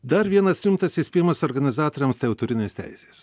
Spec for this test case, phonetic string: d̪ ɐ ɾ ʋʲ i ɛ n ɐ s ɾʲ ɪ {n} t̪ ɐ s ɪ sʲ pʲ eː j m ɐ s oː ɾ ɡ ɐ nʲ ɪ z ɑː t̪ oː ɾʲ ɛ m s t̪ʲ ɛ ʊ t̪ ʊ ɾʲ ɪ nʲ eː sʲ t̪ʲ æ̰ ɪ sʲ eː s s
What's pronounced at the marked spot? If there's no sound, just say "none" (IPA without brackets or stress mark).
m